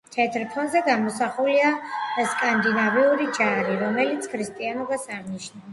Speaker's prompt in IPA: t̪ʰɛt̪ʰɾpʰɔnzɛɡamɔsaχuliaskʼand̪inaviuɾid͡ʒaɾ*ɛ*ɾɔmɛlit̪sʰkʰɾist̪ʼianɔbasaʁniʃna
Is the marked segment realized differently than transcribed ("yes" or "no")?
yes